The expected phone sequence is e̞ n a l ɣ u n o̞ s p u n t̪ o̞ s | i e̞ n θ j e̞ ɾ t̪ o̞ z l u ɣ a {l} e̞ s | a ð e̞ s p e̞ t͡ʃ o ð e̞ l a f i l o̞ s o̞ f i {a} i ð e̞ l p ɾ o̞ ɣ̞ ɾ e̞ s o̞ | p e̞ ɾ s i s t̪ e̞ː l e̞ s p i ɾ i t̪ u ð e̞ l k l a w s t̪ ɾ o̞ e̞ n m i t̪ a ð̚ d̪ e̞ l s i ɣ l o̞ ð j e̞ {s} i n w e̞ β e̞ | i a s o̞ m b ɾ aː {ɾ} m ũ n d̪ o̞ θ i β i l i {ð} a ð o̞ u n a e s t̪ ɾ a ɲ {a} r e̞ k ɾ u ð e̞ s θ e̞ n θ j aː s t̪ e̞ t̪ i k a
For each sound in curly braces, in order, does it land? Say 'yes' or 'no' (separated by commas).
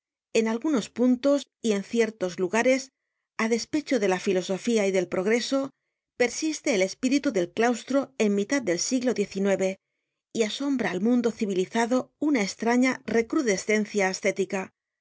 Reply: no, yes, no, no, no, yes